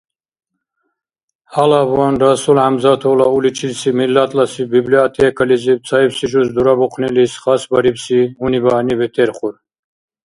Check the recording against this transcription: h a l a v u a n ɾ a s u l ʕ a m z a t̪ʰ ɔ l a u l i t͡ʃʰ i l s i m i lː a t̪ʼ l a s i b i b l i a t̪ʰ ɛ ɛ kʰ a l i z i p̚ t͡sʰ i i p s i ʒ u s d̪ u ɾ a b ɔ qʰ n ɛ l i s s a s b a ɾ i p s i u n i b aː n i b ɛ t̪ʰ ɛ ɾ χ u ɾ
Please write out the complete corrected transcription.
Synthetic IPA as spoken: h a l a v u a n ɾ a s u l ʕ a m z a t̪ʰ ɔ l a u l i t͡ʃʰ i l s i m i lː a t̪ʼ l a s i b i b l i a t̪ʰ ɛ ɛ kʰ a l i z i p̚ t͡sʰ a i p s i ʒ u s d̪ u ɾ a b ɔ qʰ n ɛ l i s χ a s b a ɾ i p s i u n i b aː n i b ɛ t̪ʰ ɛ ɾ χ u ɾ